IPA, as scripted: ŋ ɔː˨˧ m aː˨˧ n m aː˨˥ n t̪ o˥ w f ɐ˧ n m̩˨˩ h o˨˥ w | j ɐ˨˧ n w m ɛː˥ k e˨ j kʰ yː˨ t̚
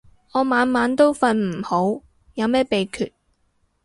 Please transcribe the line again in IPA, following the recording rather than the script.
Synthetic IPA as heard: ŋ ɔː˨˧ m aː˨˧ n m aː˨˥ n t̪ o˥ w f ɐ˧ n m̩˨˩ h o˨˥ w | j ɐ˨˧ w m ɛː˥ p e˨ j kʰ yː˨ t̚